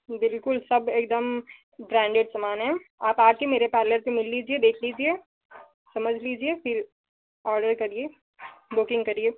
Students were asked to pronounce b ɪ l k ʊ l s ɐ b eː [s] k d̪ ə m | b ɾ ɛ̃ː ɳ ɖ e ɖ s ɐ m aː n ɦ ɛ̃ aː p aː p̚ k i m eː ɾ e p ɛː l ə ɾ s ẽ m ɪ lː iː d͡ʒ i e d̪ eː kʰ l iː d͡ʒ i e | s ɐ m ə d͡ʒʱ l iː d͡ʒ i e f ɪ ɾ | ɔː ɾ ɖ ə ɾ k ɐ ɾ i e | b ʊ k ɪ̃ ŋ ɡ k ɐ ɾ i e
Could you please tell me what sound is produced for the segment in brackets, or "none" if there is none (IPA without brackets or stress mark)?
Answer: none